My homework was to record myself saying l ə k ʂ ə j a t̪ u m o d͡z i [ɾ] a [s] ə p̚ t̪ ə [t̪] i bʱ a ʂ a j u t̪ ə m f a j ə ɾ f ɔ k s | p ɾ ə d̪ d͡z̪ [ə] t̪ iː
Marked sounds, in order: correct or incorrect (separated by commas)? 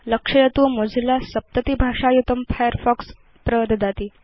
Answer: incorrect, correct, correct, incorrect